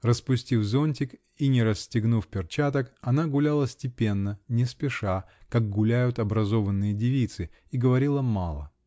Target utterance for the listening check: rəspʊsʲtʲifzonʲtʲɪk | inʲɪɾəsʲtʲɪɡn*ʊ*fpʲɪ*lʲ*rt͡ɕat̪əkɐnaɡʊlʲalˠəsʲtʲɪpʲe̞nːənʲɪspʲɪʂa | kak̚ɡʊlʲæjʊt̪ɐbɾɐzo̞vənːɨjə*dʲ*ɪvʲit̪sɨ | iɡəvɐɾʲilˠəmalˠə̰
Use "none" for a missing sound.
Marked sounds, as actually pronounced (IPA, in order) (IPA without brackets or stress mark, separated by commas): u, none, dʲ